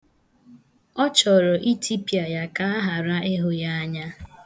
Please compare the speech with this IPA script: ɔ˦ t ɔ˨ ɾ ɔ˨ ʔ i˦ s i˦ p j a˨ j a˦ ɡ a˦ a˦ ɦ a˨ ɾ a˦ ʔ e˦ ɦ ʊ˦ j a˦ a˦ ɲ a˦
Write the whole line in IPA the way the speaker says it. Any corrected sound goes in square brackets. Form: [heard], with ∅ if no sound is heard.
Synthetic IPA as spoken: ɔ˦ [t͡ʃ] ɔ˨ ɾ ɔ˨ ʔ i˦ [t] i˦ p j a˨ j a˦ [k] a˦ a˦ ɦ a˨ ɾ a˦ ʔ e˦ ɦ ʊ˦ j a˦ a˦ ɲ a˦